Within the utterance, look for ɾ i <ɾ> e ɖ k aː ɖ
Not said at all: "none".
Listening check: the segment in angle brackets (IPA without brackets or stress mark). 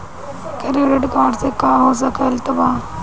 ɾ